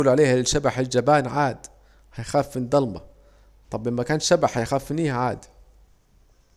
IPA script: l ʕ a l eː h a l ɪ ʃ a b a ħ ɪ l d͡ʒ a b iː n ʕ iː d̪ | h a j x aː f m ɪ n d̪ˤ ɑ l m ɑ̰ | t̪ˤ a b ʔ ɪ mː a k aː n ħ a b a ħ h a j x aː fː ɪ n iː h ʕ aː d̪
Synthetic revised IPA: l ʕ a l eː h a l ɪ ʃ a b a ħ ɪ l d͡ʒ a b aː n ʕ aː d̪ | h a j x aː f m ɪ n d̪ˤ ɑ l m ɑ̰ | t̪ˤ ɑ b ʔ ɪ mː a k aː n ʃ a b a ħ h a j x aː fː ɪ n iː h ʕ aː d̪